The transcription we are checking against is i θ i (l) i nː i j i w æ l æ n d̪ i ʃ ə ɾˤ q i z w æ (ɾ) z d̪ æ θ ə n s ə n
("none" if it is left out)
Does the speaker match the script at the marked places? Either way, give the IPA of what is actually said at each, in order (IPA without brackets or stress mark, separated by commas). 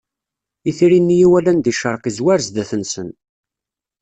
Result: ɾ, ɾ